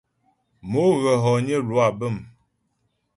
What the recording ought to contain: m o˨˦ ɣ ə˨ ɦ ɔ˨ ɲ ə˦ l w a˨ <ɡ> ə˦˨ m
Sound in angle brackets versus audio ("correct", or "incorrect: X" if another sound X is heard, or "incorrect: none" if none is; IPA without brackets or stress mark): incorrect: b